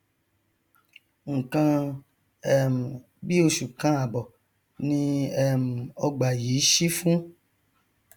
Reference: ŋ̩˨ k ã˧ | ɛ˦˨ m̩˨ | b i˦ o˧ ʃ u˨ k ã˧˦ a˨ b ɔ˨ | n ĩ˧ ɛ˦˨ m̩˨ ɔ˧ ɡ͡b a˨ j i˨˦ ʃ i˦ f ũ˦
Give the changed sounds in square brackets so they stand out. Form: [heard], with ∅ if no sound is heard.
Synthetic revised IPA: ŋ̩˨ k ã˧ | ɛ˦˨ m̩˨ | b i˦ o˧ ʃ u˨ k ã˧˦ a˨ b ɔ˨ | n ĩ˧ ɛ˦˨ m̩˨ ɔ˧ ɡ͡b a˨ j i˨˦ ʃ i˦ f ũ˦